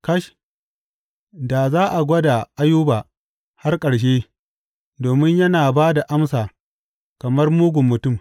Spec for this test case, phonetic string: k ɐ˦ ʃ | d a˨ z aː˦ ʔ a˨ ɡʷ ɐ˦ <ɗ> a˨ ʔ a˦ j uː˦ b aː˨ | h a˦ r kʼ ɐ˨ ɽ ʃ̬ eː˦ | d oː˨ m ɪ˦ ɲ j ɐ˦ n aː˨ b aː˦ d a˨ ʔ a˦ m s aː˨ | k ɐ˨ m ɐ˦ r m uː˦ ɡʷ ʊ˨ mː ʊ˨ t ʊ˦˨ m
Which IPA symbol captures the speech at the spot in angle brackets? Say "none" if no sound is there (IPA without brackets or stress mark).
d